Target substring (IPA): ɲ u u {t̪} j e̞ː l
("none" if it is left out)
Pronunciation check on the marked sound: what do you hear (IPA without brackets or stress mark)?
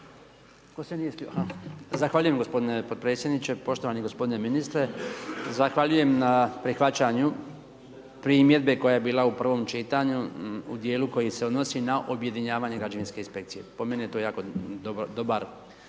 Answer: d̪